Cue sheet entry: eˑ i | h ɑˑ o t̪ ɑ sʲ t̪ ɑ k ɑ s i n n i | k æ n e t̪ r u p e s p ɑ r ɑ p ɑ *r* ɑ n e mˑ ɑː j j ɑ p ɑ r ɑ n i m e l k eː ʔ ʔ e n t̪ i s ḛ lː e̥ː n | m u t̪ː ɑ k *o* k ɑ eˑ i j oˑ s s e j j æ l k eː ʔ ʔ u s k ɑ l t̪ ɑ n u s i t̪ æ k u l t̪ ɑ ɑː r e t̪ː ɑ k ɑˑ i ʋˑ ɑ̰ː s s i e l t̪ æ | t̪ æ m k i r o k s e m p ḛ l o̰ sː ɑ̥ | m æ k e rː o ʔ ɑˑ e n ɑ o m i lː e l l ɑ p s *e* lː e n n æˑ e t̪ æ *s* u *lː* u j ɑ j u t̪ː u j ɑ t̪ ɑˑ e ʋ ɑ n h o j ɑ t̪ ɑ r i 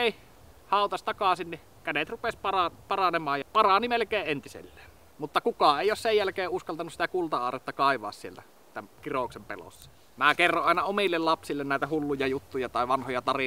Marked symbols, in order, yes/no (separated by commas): yes, no, no, no, yes